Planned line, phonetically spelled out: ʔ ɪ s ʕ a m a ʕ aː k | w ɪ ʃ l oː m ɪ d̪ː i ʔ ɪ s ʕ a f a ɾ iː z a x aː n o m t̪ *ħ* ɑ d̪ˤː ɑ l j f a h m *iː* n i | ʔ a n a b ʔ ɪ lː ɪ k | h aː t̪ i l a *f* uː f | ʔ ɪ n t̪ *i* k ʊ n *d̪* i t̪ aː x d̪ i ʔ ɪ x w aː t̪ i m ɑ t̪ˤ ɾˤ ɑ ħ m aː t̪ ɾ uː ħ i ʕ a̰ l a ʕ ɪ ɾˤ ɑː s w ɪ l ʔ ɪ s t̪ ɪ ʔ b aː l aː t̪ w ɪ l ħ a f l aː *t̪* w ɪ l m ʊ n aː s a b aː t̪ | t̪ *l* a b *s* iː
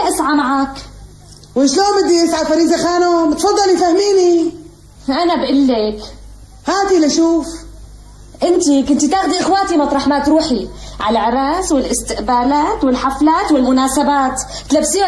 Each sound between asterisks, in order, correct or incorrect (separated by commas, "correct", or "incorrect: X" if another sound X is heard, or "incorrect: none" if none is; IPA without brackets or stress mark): incorrect: f, correct, incorrect: ʃ, correct, incorrect: t̪, correct, correct, correct